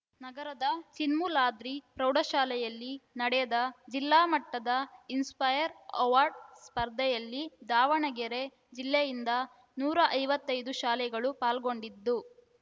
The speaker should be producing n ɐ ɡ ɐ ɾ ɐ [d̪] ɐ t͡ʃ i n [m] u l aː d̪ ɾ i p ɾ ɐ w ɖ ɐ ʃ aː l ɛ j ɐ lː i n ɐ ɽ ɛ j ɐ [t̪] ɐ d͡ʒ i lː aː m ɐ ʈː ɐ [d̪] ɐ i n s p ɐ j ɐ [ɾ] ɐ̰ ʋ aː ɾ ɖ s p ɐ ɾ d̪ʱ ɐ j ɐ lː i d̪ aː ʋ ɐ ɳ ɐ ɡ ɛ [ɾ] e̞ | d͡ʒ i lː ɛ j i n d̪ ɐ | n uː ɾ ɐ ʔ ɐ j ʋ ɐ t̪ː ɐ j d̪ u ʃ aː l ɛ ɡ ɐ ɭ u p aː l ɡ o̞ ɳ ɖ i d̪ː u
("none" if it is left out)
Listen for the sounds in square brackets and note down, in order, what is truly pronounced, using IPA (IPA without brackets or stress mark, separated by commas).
d̪, m, d̪, d̪, ɾ, ɾ